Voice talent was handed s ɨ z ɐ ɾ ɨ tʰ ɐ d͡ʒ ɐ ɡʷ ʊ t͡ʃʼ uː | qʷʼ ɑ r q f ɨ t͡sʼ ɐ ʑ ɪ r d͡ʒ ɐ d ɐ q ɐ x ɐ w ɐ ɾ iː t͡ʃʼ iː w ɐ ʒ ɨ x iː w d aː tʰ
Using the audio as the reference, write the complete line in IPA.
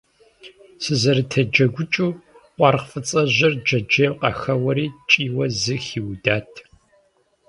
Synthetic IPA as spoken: s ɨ z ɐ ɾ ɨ tʰ ɐ d͡ʒ ɐ ɡʷ ʊ t͡ʃʼ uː | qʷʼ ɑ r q f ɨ t͡sʼ ɐ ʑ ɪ r d͡ʒ ɐ d͡ʒ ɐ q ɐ x ɐ w ɐ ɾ iː t͡ʃʼ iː w ɐ z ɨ x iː w d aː tʰ